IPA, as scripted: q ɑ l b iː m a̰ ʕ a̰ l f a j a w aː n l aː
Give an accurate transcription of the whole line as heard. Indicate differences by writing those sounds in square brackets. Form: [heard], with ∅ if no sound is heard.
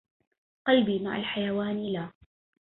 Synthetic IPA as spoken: q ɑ l b iː m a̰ ʕ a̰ l [ħ] a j a w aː n l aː